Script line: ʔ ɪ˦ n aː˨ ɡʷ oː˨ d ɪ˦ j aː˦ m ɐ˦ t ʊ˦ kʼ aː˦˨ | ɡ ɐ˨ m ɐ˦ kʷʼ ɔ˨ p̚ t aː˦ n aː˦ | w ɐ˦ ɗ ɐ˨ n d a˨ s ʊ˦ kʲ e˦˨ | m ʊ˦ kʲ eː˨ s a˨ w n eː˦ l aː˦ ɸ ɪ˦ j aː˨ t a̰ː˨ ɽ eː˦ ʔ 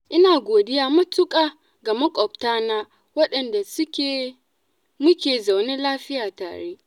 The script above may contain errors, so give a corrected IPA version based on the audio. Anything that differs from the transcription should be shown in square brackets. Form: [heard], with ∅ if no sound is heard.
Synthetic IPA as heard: ʔ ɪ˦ n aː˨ ɡʷ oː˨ d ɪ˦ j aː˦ m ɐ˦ t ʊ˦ kʼ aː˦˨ | ɡ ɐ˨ m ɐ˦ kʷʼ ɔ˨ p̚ t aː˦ n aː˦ | w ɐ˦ ɗ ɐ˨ n d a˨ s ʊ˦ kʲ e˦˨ | m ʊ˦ kʲ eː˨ [z] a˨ w n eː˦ l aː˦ ɸ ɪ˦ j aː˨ t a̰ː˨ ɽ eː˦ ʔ

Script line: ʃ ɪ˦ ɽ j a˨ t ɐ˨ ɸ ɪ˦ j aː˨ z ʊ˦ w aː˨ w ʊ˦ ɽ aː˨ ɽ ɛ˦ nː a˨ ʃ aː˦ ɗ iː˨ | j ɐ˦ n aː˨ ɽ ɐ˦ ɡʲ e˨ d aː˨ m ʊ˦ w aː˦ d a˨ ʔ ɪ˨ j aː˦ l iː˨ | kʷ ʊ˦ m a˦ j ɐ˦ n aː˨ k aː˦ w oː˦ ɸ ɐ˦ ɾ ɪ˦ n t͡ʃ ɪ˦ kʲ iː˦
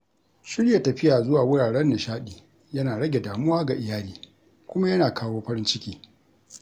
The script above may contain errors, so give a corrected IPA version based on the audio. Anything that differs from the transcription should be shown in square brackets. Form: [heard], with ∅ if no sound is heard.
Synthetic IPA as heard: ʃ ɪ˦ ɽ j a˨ t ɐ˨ ɸ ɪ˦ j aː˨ z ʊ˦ w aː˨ w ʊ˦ ɽ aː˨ ɽ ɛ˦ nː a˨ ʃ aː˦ ɗ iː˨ | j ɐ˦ n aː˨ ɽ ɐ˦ ɡʲ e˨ d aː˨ m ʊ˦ w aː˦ [ɡ] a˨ ʔ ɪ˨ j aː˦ l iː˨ | kʷ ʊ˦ m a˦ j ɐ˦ n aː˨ k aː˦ w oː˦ ɸ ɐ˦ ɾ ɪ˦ n t͡ʃ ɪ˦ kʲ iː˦

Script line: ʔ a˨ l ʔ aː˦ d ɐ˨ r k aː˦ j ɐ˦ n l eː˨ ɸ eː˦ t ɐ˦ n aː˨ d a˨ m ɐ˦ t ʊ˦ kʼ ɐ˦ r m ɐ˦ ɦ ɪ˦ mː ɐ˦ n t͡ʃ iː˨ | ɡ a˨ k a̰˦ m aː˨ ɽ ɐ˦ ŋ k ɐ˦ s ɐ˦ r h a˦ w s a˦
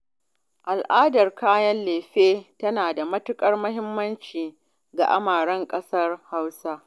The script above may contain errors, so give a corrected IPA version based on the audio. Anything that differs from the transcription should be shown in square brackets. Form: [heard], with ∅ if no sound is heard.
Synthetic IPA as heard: ʔ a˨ l ʔ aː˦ d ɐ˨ r k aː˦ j ɐ˦ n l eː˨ ɸ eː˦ t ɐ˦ n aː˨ d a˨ m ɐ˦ t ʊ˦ kʼ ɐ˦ r m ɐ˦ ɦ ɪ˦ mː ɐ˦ n t͡ʃ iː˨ | ɡ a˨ [ʔ] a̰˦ m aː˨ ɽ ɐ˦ ŋ [kʼ] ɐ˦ s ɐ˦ r h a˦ w s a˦

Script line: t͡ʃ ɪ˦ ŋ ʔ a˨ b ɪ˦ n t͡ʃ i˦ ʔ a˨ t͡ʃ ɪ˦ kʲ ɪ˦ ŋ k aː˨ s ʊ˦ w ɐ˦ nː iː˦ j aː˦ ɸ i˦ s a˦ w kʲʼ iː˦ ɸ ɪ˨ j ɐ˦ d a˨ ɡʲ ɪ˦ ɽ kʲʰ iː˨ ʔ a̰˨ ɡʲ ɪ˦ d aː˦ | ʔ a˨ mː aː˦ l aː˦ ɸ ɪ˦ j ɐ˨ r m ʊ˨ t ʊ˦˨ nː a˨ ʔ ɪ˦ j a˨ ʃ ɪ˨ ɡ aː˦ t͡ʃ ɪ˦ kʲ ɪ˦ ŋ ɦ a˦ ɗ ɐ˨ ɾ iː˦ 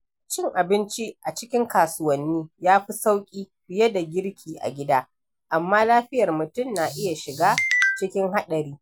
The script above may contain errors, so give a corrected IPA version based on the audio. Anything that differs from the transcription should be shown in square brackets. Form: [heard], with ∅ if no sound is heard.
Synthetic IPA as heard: t͡ʃ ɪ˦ ŋ ʔ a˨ b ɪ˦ n t͡ʃ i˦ ʔ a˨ t͡ʃ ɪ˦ kʲ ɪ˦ ŋ k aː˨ s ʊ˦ w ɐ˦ nː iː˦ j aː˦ ɸ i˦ s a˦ w kʲʼ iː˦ ɸ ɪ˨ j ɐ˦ d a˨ ɡʲ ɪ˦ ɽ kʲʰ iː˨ ʔ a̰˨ ɡʲ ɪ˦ d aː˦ | ʔ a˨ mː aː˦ l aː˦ ɸ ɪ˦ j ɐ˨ r m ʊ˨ t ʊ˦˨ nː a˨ ʔ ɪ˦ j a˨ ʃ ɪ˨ ɡ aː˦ t͡ʃ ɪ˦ kʲ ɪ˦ ŋ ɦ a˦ ɗ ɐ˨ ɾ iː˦

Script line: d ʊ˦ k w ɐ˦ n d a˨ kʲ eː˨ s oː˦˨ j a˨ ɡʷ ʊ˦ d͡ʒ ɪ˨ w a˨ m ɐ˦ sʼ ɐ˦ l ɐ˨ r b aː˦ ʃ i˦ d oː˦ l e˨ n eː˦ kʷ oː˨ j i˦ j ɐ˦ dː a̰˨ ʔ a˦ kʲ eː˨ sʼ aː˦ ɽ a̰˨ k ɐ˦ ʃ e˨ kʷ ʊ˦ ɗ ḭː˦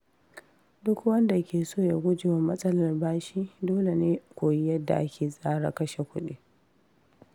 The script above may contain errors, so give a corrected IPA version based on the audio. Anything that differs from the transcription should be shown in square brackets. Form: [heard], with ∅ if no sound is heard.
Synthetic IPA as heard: d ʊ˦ k w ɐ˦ n d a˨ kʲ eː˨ s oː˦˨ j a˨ ɡʷ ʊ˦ d͡ʒ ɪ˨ w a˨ m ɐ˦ sʼ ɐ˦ l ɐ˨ r b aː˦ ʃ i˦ d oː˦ l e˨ n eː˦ kʷ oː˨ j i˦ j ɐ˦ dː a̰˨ ʔ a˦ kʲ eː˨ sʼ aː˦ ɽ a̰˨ k ɐ˦ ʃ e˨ kʷ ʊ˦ ɗ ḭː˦

